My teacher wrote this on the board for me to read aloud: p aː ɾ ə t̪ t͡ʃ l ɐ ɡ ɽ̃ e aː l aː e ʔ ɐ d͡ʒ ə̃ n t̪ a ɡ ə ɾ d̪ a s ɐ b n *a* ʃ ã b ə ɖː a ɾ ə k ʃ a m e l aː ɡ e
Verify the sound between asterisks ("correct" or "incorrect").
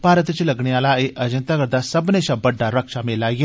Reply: incorrect